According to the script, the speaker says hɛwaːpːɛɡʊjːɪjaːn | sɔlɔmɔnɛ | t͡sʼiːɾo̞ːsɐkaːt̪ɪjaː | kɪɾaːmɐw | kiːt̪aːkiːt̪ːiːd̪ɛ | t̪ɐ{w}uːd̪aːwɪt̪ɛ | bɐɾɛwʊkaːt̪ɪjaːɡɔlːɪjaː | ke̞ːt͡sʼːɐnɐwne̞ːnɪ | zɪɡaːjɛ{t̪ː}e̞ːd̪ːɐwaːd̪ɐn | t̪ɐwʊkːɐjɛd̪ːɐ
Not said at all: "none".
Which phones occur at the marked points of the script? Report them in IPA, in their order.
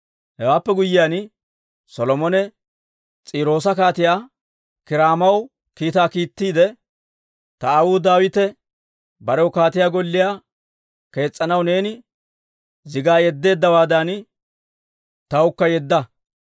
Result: w, d̪ː

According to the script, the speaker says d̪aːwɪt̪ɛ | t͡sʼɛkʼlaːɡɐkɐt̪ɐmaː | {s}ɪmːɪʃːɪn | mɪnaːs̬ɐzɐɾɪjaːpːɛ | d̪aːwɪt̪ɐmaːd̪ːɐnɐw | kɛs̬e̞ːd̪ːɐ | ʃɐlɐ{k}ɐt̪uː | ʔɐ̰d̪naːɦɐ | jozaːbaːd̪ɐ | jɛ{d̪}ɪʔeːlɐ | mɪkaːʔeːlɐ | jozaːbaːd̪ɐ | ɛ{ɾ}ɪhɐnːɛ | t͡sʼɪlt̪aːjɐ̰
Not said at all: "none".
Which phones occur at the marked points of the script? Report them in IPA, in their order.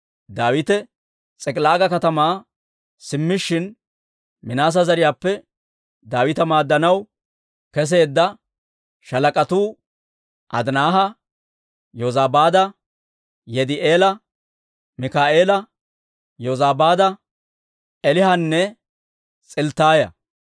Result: s, kʼ, d̪, l

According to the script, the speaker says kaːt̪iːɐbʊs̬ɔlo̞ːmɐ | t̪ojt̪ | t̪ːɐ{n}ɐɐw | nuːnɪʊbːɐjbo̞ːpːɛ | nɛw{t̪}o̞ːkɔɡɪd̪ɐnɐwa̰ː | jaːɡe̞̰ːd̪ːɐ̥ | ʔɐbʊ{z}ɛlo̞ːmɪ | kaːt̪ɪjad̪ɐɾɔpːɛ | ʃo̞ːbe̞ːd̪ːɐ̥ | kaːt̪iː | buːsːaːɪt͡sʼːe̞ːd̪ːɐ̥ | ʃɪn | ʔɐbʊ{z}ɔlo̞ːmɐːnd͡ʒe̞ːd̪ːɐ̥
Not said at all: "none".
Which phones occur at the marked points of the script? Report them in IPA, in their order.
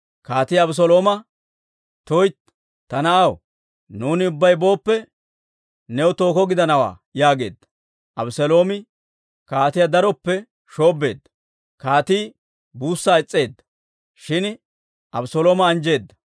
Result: n, t̪, s, s

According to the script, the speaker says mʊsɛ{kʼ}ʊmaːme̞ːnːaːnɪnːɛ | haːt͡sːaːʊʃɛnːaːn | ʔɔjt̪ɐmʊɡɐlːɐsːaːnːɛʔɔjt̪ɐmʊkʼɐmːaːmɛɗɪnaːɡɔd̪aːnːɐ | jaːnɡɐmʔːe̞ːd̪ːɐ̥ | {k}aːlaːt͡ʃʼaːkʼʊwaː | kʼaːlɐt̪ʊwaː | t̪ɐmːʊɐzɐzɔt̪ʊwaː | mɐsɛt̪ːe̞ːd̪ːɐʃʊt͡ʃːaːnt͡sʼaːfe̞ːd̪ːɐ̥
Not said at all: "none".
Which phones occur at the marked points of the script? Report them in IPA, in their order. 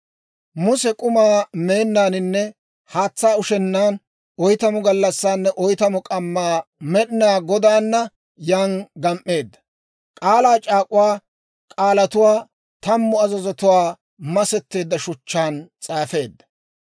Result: kʼ, kʼ

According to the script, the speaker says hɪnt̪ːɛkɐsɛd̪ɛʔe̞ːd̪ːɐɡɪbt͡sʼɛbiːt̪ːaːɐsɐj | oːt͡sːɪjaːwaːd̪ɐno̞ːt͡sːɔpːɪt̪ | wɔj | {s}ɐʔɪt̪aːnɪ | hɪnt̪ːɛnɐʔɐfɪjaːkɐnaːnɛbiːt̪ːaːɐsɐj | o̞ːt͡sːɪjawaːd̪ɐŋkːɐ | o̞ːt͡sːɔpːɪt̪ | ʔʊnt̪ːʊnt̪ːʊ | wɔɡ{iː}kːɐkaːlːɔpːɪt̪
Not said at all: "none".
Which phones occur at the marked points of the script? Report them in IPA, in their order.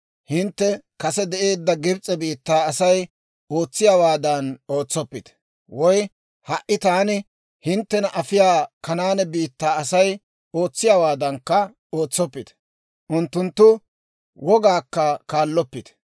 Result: h, aː

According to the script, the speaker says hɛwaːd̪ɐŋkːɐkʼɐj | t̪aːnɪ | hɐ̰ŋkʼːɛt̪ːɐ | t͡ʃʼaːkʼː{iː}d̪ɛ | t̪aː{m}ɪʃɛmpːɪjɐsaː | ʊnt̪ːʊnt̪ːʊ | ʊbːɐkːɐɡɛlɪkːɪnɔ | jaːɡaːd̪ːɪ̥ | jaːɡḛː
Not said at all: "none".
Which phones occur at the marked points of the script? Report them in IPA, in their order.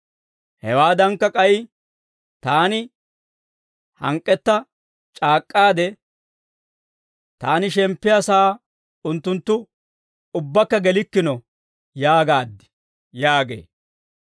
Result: aː, n

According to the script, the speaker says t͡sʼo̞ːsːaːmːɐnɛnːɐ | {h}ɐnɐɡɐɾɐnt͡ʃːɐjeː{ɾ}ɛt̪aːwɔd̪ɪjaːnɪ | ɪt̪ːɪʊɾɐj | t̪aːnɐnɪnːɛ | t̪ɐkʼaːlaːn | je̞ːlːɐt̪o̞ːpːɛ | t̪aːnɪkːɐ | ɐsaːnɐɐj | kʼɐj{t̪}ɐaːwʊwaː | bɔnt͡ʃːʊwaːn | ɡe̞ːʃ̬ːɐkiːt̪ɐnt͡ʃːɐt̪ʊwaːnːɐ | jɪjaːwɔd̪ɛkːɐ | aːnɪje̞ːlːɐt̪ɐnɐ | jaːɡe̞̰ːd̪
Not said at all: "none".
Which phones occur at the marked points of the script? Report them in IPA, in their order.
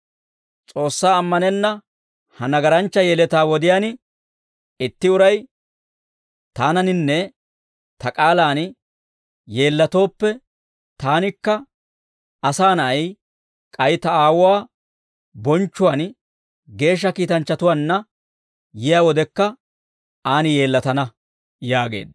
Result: h, l, t̪

